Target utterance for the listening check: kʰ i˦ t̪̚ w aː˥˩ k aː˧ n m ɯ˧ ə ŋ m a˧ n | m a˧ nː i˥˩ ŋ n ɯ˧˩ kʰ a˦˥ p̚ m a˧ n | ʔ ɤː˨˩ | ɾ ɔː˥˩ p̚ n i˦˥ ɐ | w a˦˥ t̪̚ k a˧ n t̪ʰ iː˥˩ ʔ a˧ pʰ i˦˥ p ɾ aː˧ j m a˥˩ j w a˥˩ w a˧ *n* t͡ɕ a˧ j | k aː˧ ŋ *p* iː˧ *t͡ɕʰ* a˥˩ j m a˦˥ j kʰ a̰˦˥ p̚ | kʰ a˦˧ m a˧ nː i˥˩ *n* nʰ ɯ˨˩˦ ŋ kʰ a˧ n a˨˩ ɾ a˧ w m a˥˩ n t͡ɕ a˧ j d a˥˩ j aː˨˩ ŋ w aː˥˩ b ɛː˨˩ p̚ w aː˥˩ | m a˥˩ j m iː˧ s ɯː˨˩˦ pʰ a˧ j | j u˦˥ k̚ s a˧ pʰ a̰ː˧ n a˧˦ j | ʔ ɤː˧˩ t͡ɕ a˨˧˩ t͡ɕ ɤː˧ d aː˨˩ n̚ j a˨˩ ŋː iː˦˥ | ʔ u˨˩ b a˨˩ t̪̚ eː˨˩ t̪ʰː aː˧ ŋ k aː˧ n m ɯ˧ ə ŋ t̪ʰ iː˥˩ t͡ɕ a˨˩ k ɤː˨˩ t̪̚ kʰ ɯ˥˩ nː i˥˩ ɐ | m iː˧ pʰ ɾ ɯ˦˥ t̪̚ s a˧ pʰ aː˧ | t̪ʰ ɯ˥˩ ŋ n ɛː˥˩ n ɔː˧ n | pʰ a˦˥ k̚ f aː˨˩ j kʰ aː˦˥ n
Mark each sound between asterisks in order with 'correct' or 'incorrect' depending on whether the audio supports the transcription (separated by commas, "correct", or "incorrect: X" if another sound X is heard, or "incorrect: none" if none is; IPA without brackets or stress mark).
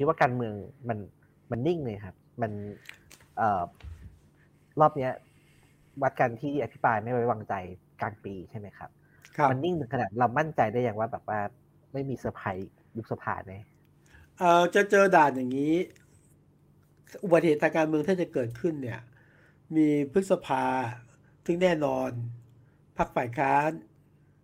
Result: incorrect: ŋ, correct, correct, incorrect: ŋ